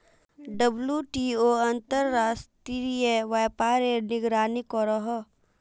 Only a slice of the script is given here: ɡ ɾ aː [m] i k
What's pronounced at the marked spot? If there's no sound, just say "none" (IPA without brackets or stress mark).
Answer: n